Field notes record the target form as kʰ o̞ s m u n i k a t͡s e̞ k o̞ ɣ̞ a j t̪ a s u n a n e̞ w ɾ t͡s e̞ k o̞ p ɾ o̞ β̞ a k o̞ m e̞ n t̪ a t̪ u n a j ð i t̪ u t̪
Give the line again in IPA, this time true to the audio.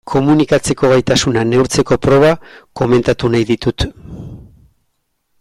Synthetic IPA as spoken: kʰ o̞ m u n i k a t͡s e̞ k o̞ ɣ̞ a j t̪ a s u n a n e̞ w ɾ t͡s e̞ k o̞ p ɾ o̞ β̞ a k o̞ m e̞ n t̪ a t̪ u n a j ð i t̪ u t̪